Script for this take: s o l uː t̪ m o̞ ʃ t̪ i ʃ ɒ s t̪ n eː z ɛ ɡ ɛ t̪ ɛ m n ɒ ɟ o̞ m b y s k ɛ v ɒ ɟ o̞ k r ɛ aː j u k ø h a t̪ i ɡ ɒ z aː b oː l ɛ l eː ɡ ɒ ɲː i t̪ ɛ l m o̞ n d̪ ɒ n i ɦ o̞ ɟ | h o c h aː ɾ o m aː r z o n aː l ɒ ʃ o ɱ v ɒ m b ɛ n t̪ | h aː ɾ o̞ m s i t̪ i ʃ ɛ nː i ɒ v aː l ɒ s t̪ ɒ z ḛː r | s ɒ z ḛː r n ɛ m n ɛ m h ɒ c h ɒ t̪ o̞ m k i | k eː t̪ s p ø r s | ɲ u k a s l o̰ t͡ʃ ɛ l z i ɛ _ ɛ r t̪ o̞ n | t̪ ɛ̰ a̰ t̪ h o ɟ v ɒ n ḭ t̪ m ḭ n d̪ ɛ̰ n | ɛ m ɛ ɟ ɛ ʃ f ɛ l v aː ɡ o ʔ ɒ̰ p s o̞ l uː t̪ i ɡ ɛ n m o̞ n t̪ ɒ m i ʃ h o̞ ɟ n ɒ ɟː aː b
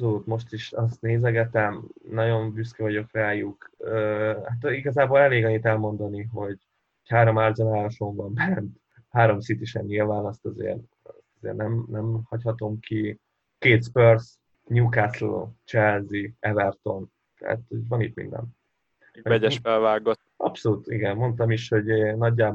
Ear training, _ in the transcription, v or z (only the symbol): v